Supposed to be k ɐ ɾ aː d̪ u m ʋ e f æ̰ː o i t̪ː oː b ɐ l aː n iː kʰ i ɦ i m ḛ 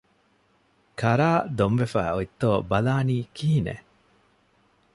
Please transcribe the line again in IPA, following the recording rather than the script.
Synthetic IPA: k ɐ ɾ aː d̪ o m ʋ e f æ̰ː o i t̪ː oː b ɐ l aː n iː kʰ i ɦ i n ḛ